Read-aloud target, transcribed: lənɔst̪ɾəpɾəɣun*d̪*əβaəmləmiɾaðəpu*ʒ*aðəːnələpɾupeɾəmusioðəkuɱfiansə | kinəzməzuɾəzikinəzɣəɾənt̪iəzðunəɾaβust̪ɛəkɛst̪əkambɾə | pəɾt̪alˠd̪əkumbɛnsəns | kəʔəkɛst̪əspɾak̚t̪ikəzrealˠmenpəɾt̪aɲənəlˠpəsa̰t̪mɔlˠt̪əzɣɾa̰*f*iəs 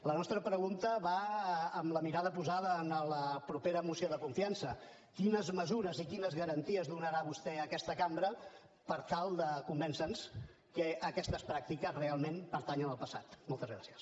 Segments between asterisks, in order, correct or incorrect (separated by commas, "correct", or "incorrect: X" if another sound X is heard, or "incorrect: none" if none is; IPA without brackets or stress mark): incorrect: t̪, incorrect: z, incorrect: s